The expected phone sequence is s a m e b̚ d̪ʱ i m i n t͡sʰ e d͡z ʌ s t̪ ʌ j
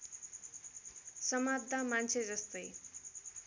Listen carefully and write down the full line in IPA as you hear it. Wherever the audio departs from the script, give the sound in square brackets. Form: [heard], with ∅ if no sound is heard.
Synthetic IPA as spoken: s [ʌ] m [a] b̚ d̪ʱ [a] m [a] n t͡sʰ e d͡z ʌ s t̪ ʌ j